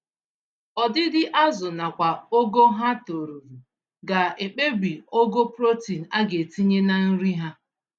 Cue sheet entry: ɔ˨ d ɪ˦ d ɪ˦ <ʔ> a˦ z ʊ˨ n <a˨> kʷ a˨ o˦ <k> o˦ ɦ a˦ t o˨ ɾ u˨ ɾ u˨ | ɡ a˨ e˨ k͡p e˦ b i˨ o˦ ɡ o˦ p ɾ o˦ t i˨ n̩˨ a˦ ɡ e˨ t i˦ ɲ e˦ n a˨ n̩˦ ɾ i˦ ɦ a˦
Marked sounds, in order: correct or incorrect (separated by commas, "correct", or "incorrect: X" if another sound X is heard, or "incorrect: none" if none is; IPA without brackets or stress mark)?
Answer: correct, correct, incorrect: ɡ